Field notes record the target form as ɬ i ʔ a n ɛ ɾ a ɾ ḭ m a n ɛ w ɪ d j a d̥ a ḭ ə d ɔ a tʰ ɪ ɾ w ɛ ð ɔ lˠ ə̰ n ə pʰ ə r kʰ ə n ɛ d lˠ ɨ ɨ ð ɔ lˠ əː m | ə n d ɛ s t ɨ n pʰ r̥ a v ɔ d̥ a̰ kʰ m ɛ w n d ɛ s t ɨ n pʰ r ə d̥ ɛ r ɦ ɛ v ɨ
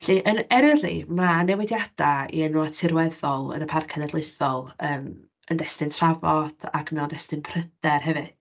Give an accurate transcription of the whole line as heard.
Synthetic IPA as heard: ɬ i ʔ ə n ɛ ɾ ə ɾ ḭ m a n ɛ w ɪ d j a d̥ a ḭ ə n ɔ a tʰ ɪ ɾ w ɛ ð ɔ lˠ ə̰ n ə pʰ a r kʰ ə n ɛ d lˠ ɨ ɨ θ ɔ lˠ əː m | ə n d ɛ s t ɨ n tʰ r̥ a v ɔ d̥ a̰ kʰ m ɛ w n d ɛ s t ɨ n pʰ r ə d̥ ɛ r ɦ ɛ v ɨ